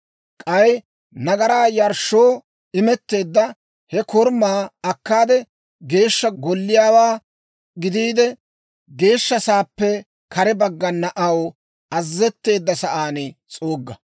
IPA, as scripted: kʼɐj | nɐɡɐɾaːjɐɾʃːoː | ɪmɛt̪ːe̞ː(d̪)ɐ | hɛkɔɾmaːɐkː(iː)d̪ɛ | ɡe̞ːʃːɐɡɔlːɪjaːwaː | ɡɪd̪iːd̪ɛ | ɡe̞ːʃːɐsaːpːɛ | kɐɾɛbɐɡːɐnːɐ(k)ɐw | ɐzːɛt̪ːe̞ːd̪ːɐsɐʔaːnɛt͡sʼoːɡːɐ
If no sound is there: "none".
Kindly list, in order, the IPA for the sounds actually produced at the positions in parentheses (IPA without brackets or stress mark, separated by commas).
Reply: d̪ː, aː, ʔ